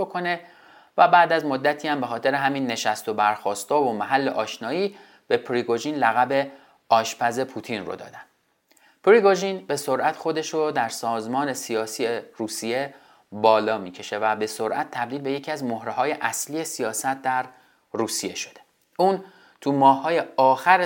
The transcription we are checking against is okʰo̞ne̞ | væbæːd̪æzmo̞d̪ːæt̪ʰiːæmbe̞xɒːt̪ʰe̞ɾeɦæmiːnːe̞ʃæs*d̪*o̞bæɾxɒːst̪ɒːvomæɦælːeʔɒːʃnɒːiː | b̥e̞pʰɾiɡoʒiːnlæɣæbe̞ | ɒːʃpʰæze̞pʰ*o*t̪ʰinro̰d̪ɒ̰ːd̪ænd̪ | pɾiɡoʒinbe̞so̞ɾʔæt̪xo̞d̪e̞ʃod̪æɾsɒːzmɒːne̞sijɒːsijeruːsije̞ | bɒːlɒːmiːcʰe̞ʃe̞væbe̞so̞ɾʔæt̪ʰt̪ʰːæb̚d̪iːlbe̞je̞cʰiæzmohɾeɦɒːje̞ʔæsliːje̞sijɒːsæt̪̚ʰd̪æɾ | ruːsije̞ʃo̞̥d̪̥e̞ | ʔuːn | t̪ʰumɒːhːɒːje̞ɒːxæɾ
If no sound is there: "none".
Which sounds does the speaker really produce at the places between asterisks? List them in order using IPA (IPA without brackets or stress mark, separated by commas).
t̪, u